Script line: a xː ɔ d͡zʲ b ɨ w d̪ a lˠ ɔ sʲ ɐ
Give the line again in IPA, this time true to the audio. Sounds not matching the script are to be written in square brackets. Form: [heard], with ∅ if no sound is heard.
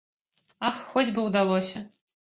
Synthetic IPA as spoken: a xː ɔ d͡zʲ b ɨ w d̪ a lˠ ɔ sʲ ɐ